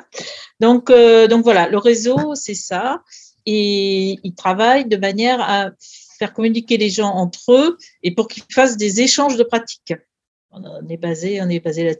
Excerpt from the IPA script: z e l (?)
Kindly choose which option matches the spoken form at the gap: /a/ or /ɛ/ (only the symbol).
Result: a